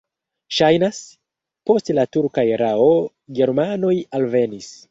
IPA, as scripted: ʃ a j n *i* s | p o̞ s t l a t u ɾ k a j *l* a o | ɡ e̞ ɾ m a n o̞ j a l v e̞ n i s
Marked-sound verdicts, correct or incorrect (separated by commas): incorrect, incorrect